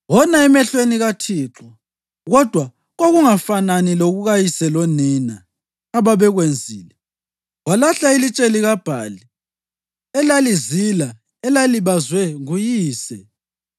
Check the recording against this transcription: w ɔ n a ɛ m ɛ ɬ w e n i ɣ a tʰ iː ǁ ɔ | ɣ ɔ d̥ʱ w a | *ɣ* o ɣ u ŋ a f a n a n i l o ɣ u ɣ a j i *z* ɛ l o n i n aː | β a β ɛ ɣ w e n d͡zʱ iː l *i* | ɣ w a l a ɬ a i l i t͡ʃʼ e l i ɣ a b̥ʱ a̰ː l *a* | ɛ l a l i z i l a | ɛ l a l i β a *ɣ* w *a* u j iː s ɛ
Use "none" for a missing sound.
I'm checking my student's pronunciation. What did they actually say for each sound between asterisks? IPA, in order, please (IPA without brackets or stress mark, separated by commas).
ɣ, s, ɛ, i, z, ɛ